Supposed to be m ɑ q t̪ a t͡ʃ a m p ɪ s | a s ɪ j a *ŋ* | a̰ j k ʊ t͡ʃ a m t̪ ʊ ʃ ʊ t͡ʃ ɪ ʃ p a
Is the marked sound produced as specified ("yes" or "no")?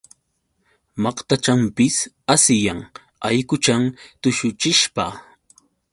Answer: yes